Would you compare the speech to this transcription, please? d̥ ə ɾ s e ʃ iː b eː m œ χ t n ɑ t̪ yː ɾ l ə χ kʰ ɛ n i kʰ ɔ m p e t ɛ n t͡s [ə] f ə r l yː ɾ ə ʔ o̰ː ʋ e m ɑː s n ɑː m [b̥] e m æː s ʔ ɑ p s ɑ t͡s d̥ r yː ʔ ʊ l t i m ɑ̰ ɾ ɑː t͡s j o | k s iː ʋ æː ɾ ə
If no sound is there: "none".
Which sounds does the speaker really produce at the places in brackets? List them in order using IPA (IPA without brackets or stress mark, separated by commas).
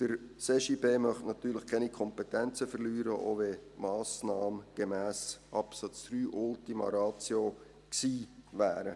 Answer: ə, ɡ̥